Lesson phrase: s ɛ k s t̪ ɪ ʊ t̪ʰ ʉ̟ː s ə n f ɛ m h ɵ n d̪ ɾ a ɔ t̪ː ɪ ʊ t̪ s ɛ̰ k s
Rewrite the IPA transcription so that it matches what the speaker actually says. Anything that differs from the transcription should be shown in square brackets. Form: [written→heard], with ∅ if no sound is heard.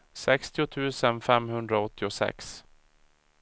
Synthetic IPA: s ɛ k s t̪ ɪ ʊ t̪ʰ ʉ̟ː s ə n f ɛ m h ɵ n d̪ ɾ a ɔ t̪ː ɪ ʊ [t̪→∅] s ɛ̰ k s